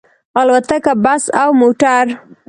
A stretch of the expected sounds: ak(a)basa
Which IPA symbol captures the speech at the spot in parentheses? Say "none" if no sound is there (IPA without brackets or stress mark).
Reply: a